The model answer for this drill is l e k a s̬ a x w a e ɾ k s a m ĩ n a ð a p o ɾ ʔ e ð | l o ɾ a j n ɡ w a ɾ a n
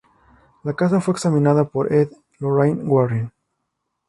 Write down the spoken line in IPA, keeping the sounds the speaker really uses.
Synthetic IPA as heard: l a k a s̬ a f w e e k s a m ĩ n a ð a p o ɾ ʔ e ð | l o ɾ a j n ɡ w a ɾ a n

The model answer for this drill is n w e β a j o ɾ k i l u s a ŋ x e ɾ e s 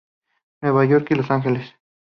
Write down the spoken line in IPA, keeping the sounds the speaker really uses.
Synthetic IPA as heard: n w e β a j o ɾ k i l o s a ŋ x e l e s

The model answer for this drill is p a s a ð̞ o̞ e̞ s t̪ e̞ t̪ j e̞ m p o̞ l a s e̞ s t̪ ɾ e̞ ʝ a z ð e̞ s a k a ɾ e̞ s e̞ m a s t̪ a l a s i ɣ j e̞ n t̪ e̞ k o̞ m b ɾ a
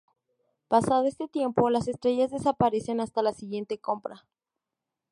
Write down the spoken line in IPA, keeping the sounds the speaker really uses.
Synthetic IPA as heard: p a s a ð̞ o̞ e̞ s t̪ e̞ t̪ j e̞ m p o̞ l a s e̞ s t̪ ɾ e̞ ʝ a z ð e̞ s a p a ɾ e̞ s e̞ n a s t̪ a l a s i ɣ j e̞ n t̪ e̞ k o̞ m p ɾ a

